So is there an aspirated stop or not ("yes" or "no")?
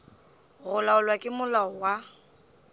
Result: no